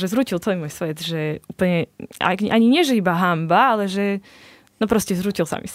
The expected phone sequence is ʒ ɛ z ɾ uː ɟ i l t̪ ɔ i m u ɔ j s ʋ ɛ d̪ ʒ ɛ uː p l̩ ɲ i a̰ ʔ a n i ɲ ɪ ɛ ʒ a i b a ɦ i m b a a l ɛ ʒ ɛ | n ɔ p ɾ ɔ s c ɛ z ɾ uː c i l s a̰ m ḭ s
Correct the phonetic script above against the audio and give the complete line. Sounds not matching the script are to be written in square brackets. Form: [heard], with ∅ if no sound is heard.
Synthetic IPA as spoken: ʒ ɛ z ɾ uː [c] i l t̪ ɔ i m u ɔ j s ʋ ɛ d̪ ʒ ɛ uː p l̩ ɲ [ɛ] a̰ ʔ a [ɲ] i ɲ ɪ ɛ ʒ [ɛ] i b a ɦ [a] m b a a l ɛ ʒ ɛ | n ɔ p ɾ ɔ s c ɛ z ɾ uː c i l s a̰ m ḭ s